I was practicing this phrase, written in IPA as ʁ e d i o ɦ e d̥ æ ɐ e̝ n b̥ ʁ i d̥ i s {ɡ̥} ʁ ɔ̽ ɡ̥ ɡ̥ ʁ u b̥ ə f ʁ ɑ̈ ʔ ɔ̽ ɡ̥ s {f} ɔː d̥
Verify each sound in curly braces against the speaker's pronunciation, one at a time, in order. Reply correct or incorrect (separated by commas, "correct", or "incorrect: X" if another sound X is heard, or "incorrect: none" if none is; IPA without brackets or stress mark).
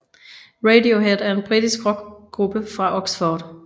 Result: correct, correct